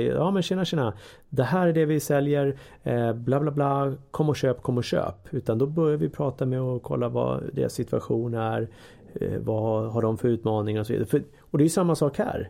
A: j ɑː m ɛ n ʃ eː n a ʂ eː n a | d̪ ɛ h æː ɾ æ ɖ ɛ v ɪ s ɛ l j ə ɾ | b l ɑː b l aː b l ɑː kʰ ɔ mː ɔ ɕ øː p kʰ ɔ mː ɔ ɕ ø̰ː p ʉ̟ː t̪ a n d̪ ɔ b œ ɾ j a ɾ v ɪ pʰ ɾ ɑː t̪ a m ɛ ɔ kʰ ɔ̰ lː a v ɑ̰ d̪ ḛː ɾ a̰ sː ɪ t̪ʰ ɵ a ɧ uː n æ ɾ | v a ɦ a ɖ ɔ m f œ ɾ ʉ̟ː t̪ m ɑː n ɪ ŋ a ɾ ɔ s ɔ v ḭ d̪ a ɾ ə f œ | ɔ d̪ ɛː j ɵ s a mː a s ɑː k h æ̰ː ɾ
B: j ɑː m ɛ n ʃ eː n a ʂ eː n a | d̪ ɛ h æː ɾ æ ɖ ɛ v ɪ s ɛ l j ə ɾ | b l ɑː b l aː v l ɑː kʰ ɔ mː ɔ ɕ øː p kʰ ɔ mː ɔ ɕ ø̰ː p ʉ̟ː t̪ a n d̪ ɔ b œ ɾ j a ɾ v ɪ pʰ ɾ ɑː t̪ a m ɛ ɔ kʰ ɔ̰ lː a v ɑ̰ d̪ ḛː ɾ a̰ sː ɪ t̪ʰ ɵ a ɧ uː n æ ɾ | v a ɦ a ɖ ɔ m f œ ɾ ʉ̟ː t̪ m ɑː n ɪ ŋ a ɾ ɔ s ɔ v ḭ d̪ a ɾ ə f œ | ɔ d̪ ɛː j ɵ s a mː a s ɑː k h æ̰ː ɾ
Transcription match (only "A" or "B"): A